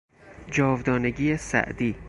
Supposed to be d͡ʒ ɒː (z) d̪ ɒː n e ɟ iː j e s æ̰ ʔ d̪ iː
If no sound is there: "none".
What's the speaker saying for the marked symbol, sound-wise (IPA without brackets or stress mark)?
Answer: v